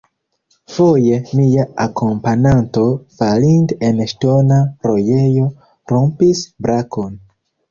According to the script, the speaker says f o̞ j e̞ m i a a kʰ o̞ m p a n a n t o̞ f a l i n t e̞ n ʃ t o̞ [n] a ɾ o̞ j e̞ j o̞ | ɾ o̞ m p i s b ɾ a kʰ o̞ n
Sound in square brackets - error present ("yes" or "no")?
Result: no